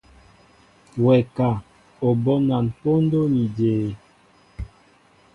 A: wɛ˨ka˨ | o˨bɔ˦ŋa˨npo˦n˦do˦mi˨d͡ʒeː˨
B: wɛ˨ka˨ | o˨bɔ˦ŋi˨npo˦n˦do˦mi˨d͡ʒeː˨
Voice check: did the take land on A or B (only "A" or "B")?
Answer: A